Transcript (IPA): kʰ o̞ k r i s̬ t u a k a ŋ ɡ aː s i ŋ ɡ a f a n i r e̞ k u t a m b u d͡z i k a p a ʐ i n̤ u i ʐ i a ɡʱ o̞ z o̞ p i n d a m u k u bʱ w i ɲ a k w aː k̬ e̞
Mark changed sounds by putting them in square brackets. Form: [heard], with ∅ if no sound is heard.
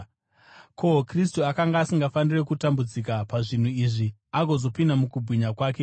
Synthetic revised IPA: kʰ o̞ k r i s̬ t u a k a ŋ ɡ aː s i ŋ ɡ a f a n i r e̞ k u t a m b u d͡z i k a p a ʐ i n̤ u i ʐ i a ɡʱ o̞ z o̞ p i n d a m u k u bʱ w i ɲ a k w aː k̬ e̞